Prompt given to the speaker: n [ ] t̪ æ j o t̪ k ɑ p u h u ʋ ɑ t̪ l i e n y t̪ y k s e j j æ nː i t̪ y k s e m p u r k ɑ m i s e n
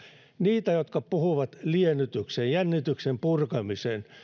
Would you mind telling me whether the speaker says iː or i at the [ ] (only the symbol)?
iː